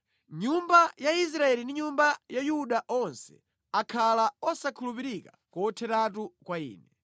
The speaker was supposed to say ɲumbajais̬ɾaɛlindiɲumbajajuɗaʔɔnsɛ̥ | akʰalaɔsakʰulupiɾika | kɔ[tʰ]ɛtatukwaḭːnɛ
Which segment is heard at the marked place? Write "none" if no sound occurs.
tʰ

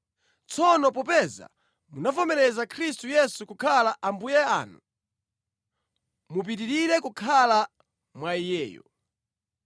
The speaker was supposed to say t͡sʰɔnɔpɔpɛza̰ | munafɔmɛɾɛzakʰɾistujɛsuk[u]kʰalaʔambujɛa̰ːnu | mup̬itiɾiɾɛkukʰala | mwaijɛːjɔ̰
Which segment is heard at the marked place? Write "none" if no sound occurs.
u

